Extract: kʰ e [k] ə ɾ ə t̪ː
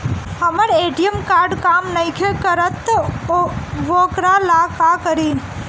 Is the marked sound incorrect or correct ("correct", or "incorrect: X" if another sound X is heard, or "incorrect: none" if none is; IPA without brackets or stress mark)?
correct